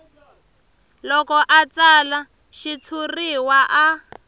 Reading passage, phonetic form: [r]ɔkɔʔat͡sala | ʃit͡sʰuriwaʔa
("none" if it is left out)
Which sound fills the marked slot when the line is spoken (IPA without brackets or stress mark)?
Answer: l